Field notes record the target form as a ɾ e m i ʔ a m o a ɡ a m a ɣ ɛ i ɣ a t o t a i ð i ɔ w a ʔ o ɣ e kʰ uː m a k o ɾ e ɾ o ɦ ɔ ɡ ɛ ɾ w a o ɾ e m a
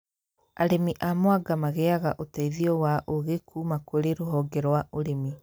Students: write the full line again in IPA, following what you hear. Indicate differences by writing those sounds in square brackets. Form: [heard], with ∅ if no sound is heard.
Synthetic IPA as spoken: a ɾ e m i ʔ a m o a ɡ a m a ɣ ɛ [a] ɣ a [ʔ] o t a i ð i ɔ w a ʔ o ɣ e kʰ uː m a k o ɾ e ɾ o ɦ ɔ ɡ ɛ ɾ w a o ɾ e m [i]